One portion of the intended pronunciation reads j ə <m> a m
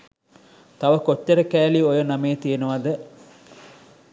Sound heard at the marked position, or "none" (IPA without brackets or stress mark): n